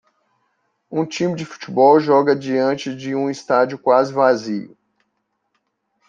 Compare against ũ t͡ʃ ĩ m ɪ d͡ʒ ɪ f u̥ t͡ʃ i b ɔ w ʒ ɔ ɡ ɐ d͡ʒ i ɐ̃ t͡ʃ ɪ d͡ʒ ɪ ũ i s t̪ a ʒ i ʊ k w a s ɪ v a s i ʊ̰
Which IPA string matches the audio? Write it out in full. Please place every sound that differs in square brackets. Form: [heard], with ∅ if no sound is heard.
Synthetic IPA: ũ t͡ʃ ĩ m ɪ d͡ʒ ɪ f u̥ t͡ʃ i b ɔ w ʒ ɔ ɡ ɐ d͡ʒ i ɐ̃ t͡ʃ ɪ d͡ʒ ɪ ũ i s t̪ a [d͡ʒ] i ʊ k w a [z] ɪ v a [z] i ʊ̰